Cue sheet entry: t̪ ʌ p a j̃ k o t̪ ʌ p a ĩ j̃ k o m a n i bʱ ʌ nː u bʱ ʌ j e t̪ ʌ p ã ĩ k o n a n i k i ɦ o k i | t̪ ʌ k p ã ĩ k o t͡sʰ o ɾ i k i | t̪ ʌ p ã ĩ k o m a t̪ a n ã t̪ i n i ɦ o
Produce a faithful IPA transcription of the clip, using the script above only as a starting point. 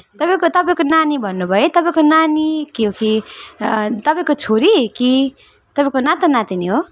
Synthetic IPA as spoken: t̪ ʌ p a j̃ k o t̪ ʌ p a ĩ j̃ k o n a n i bʱ ʌ nː u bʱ ʌ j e t̪ ʌ p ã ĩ k o n a n i k i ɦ o k i | t̪ ʌ p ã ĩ k o t͡sʰ o ɾ i k i | t̪ ʌ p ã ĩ k o n a t̪ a n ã t̪ i n i ɦ o